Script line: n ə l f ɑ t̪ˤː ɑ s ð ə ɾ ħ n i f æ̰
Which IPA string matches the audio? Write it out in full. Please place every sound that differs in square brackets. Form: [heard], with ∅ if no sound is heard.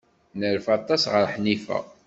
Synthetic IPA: n ə [ɾ] f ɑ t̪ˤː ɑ s [ʁ] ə ɾ ħ n i f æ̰